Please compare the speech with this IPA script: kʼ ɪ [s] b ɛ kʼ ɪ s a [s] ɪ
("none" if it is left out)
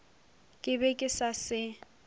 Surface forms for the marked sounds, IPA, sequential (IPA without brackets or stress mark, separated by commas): none, s